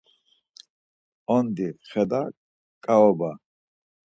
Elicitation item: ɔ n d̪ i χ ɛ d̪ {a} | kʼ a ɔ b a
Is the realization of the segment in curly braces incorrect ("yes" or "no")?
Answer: no